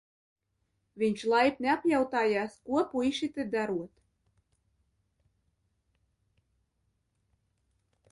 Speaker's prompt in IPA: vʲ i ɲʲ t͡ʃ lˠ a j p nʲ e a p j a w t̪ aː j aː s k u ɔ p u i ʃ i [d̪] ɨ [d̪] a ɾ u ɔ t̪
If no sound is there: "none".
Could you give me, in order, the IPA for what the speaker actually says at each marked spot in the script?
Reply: t̪, d̪

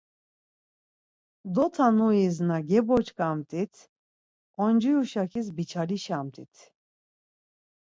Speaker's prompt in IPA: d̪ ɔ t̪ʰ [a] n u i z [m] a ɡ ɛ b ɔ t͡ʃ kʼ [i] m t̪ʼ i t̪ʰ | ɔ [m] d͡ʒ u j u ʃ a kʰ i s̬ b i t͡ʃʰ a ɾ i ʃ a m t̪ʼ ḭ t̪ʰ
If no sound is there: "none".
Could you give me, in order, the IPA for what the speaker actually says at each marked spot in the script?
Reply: a, n, a, n

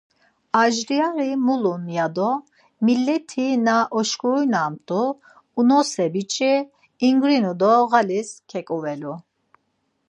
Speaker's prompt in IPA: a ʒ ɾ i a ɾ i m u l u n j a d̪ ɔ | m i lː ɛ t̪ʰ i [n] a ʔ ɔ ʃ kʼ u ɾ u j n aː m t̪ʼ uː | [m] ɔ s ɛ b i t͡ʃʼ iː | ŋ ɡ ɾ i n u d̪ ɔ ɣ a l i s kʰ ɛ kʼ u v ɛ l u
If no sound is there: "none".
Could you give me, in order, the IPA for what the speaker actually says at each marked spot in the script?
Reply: n, n

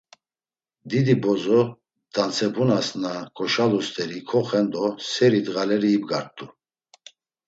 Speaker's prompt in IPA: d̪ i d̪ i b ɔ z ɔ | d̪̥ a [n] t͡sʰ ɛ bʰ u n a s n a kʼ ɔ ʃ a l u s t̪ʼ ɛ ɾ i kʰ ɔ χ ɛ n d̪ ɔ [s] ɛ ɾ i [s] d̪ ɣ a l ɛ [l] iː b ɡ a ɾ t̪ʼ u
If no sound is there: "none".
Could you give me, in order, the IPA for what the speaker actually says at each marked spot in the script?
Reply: n, s, none, ɾ

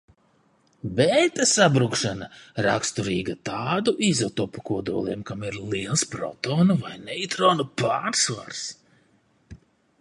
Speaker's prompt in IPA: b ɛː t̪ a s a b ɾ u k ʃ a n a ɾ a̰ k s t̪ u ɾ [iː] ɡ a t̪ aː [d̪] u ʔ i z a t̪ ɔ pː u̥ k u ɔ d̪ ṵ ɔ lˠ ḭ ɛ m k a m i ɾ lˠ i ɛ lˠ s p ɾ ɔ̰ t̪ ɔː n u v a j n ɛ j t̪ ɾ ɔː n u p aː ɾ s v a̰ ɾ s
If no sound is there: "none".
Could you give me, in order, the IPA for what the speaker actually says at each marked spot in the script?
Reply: iː, d̪

